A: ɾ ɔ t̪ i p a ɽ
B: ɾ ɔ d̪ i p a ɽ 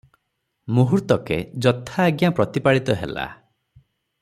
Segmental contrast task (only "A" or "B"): A